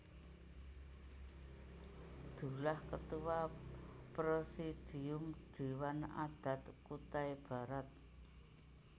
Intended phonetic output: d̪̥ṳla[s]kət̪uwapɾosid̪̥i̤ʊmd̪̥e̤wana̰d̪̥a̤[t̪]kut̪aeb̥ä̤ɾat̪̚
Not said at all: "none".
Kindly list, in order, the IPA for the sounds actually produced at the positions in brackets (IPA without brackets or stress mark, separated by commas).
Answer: h, t̪